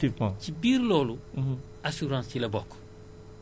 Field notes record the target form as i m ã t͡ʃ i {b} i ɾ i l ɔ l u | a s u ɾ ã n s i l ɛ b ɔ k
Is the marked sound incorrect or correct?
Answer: correct